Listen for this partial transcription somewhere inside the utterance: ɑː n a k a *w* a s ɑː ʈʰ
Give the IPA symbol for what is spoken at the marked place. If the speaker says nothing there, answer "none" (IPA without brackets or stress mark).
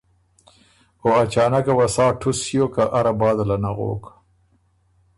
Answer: w